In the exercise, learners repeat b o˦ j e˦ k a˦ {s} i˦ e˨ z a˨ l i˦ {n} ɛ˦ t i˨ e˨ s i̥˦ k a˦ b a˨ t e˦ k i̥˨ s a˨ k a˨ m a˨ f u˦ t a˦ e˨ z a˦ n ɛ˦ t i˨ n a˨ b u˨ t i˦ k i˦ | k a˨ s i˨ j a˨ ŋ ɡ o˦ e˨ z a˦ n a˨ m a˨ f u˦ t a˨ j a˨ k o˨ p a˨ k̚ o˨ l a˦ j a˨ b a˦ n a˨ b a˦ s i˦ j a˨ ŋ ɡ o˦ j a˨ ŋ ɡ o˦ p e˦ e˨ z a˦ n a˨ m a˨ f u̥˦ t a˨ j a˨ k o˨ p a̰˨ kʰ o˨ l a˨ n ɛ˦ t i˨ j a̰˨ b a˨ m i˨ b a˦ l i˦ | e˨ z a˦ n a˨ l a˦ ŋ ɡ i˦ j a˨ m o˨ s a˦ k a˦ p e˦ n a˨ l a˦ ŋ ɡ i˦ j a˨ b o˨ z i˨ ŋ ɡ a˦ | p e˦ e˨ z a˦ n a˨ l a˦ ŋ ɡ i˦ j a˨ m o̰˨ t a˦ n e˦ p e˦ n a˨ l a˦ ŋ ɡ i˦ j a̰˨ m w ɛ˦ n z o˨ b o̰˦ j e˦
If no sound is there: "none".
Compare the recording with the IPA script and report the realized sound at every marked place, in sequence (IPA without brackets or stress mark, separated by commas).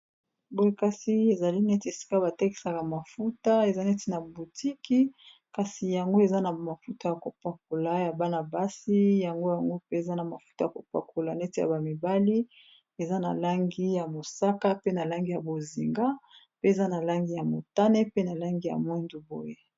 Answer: s, n